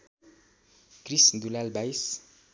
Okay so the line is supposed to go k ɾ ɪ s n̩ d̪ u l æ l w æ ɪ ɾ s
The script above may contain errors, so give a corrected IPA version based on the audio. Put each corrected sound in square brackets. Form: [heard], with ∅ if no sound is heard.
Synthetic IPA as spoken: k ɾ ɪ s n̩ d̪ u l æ l [b] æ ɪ [∅] s